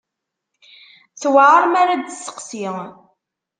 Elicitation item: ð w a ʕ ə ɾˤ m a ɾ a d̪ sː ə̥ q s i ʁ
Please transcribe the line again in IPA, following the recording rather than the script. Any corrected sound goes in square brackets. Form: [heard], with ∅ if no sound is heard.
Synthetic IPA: [θ] w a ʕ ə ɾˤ m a ɾ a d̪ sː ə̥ q s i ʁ